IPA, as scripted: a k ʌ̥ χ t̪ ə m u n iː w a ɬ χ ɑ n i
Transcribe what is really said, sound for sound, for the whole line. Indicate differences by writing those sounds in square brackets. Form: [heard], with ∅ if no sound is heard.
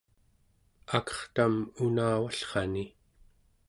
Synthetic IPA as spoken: a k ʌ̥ χ t̪ [a] m u n [aː] w a ɬ χ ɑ n i